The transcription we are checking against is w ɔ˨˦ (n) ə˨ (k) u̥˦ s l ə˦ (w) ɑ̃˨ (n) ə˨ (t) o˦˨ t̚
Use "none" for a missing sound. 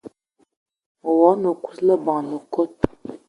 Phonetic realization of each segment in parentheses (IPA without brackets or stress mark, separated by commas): n, k, b, n, k